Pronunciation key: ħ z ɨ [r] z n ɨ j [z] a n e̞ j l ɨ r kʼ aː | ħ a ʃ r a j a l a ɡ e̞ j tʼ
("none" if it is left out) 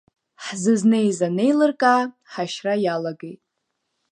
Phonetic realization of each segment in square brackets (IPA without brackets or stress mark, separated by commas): none, z